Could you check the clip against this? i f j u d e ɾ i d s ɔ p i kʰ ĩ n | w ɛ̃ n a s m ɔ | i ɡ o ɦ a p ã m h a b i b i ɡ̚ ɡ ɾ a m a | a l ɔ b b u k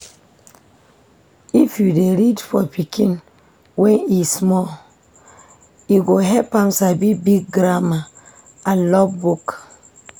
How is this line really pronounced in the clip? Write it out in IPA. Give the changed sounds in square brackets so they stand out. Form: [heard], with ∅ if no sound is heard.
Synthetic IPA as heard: i f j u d e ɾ i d [f] ɔ p i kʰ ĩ n | w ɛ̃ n [i] s m ɔ | i ɡ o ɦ [ɛ] p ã m [s] a b i b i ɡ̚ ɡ ɾ a m a | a l ɔ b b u k